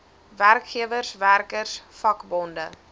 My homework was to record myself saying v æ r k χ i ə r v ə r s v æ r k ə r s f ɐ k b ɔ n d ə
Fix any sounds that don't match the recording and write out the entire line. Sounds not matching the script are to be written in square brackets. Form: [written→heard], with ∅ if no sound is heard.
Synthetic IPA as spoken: v æ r k χ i ə [r→∅] v ə r s v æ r k ə r s f ɐ k b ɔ n d ə

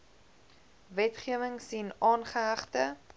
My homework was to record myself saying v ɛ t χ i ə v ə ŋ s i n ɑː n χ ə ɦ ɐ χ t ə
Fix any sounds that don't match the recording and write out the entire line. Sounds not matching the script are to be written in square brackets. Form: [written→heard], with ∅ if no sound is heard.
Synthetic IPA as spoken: v ɛ t χ i ə v ə ŋ s i n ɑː n χ ə ɦ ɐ χ t ə

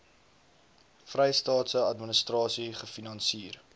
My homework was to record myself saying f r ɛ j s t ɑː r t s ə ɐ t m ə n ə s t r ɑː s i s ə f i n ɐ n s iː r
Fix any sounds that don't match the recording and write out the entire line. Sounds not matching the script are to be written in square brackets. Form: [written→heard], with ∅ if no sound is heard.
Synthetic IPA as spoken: f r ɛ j s t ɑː [r→∅] t s ə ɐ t m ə n ə s t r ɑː s i [s→χ] ə f i n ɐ n s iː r

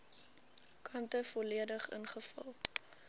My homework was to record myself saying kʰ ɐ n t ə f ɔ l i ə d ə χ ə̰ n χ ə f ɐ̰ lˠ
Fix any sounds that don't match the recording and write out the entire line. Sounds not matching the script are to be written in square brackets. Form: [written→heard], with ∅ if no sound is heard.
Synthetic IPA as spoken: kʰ ɐ n t ə f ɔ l i ə d ə χ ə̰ n χ ə f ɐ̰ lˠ

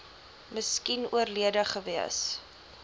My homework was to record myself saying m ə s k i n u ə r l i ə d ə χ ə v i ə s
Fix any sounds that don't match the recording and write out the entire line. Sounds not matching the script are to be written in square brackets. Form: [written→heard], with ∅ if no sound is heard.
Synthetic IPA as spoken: m ə s k i n u ə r l i ə d ə χ ə v i ə s

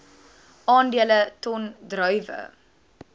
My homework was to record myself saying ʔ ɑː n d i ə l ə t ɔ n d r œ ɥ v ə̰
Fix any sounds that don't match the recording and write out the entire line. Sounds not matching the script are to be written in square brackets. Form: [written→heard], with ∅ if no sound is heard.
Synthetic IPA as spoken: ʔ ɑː n d i ə l ə t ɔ n d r œ ɥ v ə̰

